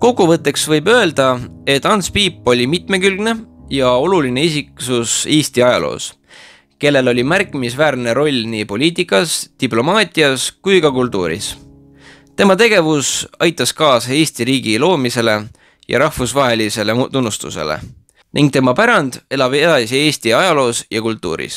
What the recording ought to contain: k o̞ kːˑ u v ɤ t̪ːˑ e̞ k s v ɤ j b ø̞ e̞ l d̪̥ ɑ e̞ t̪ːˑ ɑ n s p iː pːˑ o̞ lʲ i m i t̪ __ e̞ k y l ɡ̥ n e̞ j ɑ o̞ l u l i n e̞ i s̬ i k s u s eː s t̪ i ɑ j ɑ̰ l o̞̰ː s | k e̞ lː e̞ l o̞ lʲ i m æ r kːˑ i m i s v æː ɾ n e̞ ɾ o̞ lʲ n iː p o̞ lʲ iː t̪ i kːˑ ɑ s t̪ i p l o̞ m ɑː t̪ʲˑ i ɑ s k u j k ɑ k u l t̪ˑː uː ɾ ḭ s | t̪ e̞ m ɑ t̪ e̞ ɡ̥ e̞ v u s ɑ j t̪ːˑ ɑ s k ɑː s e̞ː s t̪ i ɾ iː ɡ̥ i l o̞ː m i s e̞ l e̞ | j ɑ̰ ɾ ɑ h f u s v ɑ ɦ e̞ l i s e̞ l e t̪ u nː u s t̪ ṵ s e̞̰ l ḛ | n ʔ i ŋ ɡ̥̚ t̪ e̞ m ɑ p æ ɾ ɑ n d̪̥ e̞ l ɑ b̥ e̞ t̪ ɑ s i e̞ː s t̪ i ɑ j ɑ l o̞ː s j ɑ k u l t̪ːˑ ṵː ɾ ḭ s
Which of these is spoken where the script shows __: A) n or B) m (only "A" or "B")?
B